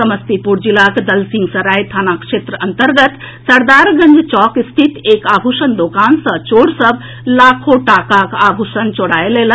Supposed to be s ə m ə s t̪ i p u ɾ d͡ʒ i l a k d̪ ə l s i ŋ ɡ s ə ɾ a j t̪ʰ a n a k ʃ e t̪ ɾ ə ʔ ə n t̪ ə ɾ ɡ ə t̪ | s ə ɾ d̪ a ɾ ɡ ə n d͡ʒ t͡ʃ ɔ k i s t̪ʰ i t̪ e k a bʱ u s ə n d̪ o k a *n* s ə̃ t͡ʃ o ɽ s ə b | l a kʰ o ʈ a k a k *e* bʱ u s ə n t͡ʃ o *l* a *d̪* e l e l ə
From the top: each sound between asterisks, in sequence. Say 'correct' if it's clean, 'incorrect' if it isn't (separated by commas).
correct, incorrect, incorrect, incorrect